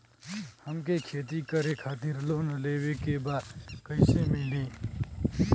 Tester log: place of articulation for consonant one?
glottal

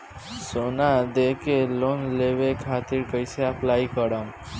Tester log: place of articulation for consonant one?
alveolar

